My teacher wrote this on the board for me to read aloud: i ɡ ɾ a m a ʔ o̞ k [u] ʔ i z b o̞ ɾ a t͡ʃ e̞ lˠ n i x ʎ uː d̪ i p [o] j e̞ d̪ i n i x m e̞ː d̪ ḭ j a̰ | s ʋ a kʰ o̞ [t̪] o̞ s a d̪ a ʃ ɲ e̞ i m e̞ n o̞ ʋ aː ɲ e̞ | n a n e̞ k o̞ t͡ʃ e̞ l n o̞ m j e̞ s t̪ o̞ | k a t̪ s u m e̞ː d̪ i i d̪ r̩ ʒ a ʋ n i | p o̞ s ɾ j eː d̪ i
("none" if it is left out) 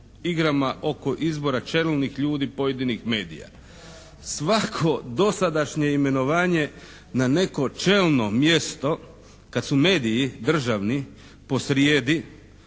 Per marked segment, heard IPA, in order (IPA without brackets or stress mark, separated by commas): o, o, d̪